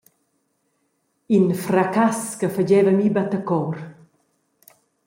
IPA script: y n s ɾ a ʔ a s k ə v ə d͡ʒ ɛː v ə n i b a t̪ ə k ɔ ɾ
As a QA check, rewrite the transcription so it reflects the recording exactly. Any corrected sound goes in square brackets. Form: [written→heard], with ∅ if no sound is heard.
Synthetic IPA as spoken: [y→i] n [s→f] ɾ a [ʔ→k] a s k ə [v→f] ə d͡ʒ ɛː v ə [n→m] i b a t̪ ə k ɔ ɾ